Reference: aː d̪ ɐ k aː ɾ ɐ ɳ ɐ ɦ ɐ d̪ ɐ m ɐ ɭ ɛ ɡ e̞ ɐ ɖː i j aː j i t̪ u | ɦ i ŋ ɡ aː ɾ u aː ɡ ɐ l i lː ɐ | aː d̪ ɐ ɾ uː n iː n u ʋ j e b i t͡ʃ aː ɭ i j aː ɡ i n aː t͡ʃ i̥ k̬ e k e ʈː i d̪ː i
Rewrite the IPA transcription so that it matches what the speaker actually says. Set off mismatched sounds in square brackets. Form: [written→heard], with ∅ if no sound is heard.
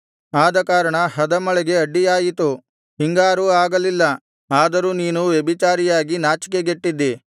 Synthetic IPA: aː d̪ ɐ k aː ɾ ɐ ɳ ɐ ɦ ɐ d̪ ɐ m ɐ ɭ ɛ ɡ e̞ ɐ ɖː i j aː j i t̪ u | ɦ i ŋ ɡ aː ɾ u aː ɡ ɐ l i lː ɐ | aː d̪ ɐ ɾ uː n iː n u ʋ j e b i t͡ʃ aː [ɭ→ɾ] i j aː ɡ i n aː t͡ʃ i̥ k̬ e [k→ɡ] e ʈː i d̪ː i